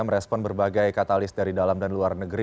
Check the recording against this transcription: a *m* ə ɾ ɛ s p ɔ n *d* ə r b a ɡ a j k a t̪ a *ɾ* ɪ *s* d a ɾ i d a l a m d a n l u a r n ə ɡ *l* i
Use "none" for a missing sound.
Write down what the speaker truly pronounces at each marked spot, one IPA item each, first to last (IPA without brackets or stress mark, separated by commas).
m, b, l, s, ɾ